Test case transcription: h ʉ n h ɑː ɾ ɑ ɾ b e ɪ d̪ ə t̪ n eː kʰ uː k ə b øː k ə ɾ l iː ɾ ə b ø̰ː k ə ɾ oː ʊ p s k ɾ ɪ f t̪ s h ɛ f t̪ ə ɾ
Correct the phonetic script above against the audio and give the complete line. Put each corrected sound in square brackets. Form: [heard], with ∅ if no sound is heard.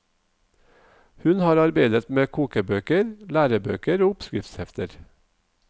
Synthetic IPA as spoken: h ʉ n h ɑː ɾ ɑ ɾ b e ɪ d̪ ə t̪ [m] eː kʰ uː k ə b øː k ə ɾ l [æː] ɾ ə b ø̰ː k ə ɾ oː ʊ p s k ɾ ɪ f t̪ s h ɛ f t̪ ə ɾ